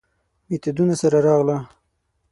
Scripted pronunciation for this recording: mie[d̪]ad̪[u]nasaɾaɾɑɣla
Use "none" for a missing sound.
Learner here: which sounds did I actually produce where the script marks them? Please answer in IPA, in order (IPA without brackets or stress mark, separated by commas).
t̪, u